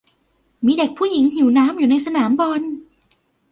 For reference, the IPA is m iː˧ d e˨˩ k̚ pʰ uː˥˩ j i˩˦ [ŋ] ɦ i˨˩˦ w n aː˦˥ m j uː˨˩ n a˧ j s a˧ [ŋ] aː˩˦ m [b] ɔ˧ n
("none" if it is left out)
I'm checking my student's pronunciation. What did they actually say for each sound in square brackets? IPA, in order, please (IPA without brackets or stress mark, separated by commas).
ŋ, n, b